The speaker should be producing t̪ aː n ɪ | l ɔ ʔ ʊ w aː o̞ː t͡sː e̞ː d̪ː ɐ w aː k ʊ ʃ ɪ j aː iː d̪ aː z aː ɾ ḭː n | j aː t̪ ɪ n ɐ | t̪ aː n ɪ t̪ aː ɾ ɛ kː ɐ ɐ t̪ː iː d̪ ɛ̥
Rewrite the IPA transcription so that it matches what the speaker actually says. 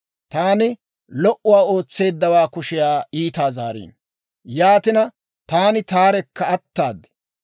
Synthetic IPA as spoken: t̪ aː n ɪ | l ɔ ʔ ʊ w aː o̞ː t͡sː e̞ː d̪ː ɐ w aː k ʊ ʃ ɪ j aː iː t̪ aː z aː ɾ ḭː n | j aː t̪ ɪ n ɐ | t̪ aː n ɪ t̪ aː ɾ ɛ kː ɐ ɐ t̪ː aː d̪ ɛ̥

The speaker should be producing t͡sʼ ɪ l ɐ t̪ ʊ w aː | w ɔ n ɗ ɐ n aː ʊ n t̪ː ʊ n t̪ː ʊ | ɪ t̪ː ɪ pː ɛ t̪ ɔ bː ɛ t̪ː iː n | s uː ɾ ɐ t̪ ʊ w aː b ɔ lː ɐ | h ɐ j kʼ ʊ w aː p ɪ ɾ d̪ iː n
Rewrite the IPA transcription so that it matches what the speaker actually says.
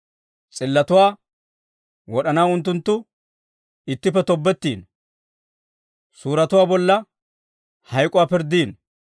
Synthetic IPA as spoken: t͡sʼ ɪ lː ɐ t̪ ʊ w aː | w ɔ ɗ ɐ n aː ʊ n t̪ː ʊ n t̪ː ʊ | ɪ t̪ː ɪ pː ɛ t̪ ɔ bː ɛ t̪ː iː n | s uː ɾ ɐ t̪ ʊ w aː b ɔ lː ɐ | h ɐ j kʼ ʊ w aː p ɪ ɾ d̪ iː n

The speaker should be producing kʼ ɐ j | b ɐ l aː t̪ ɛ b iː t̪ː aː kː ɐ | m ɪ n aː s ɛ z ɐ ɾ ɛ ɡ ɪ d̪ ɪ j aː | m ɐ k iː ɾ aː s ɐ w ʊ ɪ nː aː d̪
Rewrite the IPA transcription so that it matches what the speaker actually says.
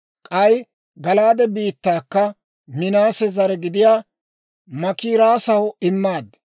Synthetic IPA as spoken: kʼ ɐ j | ɡ ɐ l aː d̪ ɛ b iː t̪ː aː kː ɐ | m ɪ n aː s ɛ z ɐ ɾ ɛ ɡ ɪ d̪ ɪ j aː | m ɐ k iː ɾ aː s ɐ w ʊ ɪ mː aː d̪

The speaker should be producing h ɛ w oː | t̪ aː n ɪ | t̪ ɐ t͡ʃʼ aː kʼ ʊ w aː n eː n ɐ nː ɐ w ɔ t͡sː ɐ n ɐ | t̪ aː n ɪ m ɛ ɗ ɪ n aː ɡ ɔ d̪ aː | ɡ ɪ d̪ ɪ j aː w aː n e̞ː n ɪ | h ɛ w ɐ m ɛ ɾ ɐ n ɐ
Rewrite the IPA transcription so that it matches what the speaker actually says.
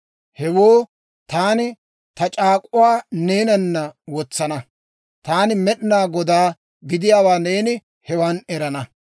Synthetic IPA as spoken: h ɛ w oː | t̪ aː n ɪ | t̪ ɐ t͡ʃʼ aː kʼ ʊ w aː n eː n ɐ nː ɐ w ɔ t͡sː ɐ n ɐ | t̪ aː n ɪ m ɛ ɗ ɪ n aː ɡ ɔ d̪ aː | ɡ ɪ d̪ ɪ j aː w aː n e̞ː n ɪ | h ɛ w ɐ n ɛ ɾ ɐ n ɐ

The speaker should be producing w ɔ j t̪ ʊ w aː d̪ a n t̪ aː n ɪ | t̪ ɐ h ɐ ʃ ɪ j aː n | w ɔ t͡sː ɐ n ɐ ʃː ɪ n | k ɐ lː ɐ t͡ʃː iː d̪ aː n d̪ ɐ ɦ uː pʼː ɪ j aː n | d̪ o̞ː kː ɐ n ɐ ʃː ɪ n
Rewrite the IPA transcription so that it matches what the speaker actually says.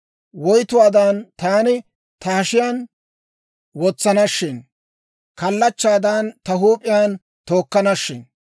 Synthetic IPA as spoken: w ɔ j t̪ ʊ w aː d̪ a n t̪ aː n ɪ | t̪ ɐ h ɐ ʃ ɪ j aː n | w ɔ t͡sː ɐ n ɐ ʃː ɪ n | k ɐ lː ɐ t͡ʃː aː d̪ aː n t̪ ɐ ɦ uː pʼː ɪ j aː n | t̪ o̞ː kː ɐ n ɐ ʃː ɪ n

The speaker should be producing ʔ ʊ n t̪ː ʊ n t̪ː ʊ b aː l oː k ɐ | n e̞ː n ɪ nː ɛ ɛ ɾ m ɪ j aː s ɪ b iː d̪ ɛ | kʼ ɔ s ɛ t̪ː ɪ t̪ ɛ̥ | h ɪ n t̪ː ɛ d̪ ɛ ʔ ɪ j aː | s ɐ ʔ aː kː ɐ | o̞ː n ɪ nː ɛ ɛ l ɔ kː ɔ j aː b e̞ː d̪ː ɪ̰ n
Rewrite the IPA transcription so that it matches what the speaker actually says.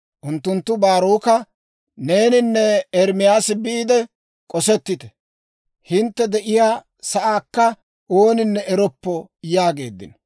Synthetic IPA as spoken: ʔ ʊ n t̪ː ʊ n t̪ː ʊ b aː ɾ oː k ɐ | n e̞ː n ɪ nː ɛ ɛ ɾ m ɪ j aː s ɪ b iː d̪ ɛ | kʼ ɔ s ɛ t̪ː ɪ t̪ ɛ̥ | h ɪ n t̪ː ɛ d̪ ɛ ʔ ɪ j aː | s ɐ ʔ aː kː ɐ | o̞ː n ɪ nː ɛ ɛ ɾ ɔ pː ɔ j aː ɡ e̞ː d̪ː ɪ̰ n

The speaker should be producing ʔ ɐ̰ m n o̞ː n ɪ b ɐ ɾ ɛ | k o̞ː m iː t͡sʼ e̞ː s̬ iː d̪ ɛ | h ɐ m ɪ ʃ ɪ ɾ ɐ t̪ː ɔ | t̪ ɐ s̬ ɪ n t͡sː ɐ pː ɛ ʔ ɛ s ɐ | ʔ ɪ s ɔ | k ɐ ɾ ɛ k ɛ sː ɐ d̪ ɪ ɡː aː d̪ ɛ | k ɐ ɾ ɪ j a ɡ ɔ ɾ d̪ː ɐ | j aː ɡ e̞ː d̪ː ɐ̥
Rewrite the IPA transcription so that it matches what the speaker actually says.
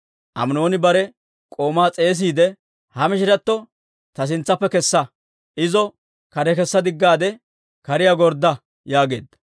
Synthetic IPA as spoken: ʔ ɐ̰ m n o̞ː n ɪ b ɐ ɾ ɛ | kʼ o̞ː m aː t͡sʼ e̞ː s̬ iː d̪ ɛ | h ɐ m ɪ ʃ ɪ ɾ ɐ t̪ː ɔ | t̪ ɐ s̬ ɪ n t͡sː ɐ pː ɛ k ɛ sː ɐ | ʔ ɪ z ɔ | k ɐ ɾ ɛ k ɛ sː ɐ d̪ ɪ ɡː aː d̪ ɛ | k ɐ ɾ ɪ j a ɡ ɔ ɾ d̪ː ɐ | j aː ɡ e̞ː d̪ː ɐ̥

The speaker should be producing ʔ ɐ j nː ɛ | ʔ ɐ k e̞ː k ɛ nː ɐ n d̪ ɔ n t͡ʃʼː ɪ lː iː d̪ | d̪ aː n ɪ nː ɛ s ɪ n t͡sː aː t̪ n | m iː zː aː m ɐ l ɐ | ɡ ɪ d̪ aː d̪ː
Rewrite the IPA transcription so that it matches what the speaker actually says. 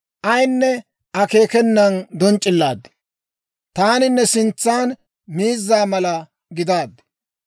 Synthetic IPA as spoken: ʔ ɐ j nː ɛ | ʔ ɐ k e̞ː k ɛ nː ɐ n d̪ ɔ n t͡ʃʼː ɪ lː aː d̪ | t̪ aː n ɪ nː ɛ s ɪ n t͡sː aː n | m iː zː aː m ɐ l ɐ | ɡ ɪ d̪ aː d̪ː

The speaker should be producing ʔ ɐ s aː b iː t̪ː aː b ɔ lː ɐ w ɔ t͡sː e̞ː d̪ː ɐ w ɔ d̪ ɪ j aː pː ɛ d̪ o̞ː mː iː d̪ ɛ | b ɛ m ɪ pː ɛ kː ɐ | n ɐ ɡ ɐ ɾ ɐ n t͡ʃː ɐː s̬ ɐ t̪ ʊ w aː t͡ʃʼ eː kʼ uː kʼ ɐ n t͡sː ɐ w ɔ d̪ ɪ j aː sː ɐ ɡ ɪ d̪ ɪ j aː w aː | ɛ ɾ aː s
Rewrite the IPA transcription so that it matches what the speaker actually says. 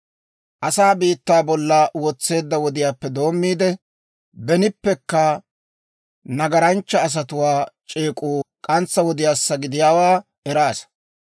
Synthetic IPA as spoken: ʔ ɐ s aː b iː t̪ː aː b ɔ lː ɐ w ɔ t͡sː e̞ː d̪ː ɐ w ɔ d̪ ɪ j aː pː ɛ d̪ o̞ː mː iː d̪ ɛ | b ɛ n ɪ pː ɛ kː ɐ | n ɐ ɡ ɐ ɾ ɐ n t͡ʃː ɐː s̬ ɐ t̪ ʊ w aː t͡ʃʼ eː kʼ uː kʼ ɐ n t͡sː ɐ w ɔ d̪ ɪ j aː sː ɐ ɡ ɪ d̪ ɪ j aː w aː | ɛ ɾ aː s

